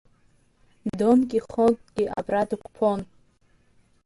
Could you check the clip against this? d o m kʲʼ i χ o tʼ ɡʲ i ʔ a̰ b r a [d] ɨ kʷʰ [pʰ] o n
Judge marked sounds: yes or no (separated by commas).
yes, yes